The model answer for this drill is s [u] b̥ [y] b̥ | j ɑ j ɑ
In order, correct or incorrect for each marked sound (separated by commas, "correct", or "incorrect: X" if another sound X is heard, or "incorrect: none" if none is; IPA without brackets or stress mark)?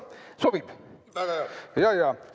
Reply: incorrect: o, incorrect: i